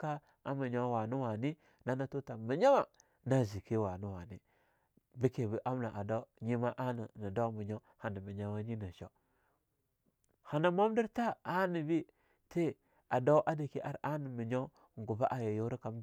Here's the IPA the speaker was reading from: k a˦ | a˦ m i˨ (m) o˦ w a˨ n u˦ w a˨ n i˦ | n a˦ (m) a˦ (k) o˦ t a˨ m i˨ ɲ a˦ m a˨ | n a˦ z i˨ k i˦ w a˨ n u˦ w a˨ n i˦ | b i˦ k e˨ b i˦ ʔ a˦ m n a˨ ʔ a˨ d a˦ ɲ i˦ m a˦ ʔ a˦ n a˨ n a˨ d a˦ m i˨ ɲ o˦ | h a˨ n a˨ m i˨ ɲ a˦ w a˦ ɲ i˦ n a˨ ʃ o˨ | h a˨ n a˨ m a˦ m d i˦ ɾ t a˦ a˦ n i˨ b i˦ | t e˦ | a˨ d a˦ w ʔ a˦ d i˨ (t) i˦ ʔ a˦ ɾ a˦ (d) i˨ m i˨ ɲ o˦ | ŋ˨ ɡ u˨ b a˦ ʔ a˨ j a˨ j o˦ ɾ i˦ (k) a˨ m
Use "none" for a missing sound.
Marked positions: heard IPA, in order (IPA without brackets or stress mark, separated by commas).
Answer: ɲ, n, t, k, n, k